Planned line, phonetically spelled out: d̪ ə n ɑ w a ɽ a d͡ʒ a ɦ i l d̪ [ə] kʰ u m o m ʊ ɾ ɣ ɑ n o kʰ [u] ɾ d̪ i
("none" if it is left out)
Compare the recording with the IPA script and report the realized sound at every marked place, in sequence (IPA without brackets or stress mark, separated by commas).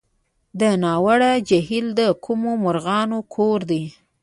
ə, o